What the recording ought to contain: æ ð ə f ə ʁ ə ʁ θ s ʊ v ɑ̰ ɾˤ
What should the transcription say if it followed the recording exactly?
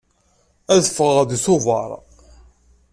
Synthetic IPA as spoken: æ ð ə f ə ʁ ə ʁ ð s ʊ v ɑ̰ ɾˤ